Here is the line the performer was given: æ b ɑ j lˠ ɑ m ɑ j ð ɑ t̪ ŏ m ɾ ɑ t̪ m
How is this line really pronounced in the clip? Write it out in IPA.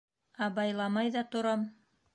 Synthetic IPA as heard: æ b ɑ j lˠ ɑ m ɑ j ð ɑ t̪ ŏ ɾ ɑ m